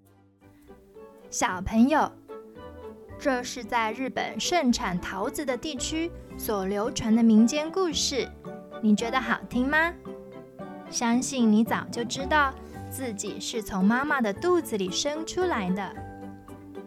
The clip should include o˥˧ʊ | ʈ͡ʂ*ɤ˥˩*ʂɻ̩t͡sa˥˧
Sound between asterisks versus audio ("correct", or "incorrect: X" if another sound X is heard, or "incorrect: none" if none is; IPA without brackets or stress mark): incorrect: ɤ˥˧